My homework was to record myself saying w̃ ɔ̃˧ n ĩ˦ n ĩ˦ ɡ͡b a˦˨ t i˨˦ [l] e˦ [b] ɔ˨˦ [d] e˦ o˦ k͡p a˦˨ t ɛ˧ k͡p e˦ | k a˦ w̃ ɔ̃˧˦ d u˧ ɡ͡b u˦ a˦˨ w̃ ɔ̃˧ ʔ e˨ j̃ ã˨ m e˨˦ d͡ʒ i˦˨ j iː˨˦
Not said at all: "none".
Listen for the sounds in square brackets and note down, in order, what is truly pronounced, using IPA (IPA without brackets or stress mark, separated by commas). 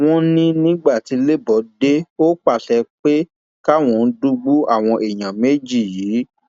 l, b, d